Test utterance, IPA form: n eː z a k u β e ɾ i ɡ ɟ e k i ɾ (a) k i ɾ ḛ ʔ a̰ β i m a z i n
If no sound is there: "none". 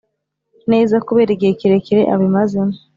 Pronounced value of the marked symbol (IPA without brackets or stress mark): e